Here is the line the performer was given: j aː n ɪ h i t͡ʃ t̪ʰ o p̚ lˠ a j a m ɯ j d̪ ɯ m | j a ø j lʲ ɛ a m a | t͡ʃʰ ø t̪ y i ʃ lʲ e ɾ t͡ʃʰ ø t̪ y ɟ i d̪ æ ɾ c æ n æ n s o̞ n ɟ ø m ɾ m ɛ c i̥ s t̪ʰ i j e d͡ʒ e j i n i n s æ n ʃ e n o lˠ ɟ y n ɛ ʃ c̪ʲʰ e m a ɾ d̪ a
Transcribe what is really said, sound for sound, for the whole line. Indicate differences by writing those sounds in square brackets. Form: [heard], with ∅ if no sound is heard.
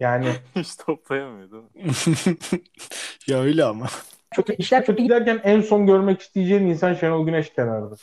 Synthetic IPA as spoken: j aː n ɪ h i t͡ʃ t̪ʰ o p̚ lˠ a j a m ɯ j d̪ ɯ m | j a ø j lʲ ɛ a m a | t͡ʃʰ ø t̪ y i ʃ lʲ [æ] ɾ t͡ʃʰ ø t̪ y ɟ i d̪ æ ɾ c æ n æ n s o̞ n ɟ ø [∅] ɾ m ɛ c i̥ s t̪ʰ i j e d͡ʒ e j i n i n s [a] n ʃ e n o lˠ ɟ y n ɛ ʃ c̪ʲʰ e [n] a ɾ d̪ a